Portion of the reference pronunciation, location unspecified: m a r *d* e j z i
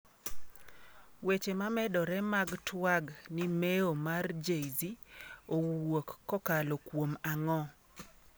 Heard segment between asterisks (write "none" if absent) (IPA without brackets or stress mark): d͡ʒ